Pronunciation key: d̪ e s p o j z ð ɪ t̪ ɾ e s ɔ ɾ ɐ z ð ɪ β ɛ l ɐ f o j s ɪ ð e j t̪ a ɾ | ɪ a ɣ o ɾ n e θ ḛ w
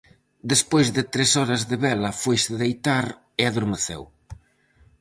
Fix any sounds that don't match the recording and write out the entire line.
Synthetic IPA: d̪ e s p o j z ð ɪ t̪ ɾ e s ɔ ɾ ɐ z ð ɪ β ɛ l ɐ f o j s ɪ ð e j t̪ a ɾ | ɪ a ð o ɾ m e θ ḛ w